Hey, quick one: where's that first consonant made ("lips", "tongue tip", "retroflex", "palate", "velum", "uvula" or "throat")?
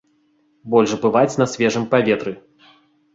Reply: lips